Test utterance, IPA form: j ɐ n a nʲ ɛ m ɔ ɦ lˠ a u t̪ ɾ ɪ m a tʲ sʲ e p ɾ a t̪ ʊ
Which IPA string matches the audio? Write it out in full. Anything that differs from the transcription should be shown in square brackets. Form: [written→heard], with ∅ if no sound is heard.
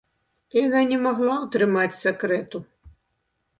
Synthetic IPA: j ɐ n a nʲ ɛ m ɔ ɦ lˠ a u t̪ ɾ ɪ m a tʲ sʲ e [p→k] ɾ [a→ɛ] t̪ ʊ